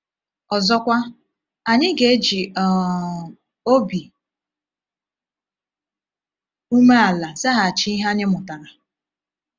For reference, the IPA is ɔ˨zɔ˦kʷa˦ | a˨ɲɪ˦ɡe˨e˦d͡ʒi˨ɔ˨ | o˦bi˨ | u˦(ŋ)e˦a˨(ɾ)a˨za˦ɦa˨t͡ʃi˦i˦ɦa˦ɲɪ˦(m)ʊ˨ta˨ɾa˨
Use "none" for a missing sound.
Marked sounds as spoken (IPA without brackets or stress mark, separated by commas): m, l, m